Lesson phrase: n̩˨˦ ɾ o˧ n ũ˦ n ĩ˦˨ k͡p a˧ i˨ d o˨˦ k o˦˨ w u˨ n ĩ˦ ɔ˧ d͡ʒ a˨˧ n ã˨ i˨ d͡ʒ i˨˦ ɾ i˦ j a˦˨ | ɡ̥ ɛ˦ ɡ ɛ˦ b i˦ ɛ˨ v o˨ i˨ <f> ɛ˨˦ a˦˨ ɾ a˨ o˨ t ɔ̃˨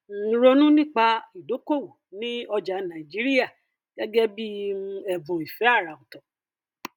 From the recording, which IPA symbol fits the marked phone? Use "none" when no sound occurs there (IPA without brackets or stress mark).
f